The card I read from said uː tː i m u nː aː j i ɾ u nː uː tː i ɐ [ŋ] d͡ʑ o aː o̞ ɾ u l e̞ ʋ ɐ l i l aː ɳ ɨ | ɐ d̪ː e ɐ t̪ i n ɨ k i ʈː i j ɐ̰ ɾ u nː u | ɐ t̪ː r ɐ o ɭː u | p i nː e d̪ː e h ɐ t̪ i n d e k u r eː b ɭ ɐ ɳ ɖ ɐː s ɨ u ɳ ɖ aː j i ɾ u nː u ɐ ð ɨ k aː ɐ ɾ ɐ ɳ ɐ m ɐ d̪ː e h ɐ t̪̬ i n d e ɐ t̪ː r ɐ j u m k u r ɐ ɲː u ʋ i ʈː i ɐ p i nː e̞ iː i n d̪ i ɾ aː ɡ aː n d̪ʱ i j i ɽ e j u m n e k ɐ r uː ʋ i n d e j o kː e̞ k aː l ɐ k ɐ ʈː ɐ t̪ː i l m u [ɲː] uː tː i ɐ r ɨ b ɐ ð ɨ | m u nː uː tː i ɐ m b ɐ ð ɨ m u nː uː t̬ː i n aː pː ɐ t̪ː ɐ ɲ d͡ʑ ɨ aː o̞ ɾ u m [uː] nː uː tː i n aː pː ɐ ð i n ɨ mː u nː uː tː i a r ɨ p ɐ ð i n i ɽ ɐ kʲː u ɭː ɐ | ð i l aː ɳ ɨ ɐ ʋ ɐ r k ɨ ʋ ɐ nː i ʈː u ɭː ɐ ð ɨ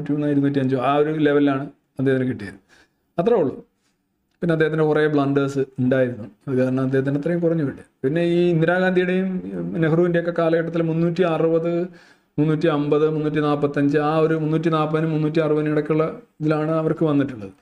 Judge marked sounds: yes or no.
no, no, no

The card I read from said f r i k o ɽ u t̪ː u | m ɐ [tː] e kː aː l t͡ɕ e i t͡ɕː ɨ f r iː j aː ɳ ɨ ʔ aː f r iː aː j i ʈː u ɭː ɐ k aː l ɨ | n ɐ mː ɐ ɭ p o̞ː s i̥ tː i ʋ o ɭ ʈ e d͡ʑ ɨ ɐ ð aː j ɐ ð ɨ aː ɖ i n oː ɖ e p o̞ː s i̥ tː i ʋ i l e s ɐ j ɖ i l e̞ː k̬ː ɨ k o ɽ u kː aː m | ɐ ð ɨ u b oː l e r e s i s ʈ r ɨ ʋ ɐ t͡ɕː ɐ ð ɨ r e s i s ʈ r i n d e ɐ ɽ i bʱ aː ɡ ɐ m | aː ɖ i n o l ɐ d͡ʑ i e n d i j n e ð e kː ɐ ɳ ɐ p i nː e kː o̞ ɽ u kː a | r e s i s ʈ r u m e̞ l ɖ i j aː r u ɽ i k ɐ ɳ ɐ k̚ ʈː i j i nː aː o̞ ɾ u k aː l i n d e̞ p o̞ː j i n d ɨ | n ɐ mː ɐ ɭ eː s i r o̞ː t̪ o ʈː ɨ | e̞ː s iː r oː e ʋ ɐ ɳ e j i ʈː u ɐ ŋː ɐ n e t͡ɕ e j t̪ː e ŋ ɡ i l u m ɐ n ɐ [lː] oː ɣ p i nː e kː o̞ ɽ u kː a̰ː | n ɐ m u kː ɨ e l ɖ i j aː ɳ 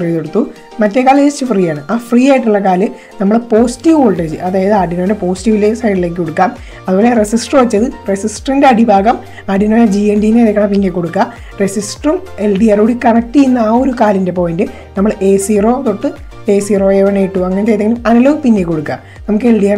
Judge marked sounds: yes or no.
yes, no

